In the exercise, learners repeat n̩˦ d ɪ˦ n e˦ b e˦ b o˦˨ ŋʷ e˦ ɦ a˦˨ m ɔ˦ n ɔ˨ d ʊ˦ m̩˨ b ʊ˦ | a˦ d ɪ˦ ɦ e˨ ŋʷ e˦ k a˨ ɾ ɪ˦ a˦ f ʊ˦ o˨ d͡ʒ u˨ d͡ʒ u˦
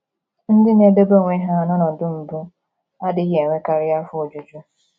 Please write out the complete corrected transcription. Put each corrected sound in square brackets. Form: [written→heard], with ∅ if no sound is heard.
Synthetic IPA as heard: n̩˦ d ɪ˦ n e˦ b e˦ b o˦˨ ŋʷ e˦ ɦ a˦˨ [m→n] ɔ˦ n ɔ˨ d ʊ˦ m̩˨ b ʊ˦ | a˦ d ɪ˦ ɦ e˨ ŋʷ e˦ k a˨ ɾ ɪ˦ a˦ f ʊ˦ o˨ d͡ʒ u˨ d͡ʒ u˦